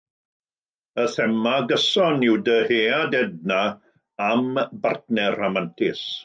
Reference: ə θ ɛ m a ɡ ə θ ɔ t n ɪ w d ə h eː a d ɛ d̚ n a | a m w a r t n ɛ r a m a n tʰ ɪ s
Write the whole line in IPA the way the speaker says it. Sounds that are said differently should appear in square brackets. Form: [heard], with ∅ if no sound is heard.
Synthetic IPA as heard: ə θ ɛ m a ɡ ə [s] ɔ [∅] n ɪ w d ə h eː a d ɛ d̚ n a | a m [b] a r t n ɛ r a m a n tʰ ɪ s